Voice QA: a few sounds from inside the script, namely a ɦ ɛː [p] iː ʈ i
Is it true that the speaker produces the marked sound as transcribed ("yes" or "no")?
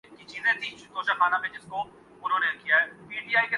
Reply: yes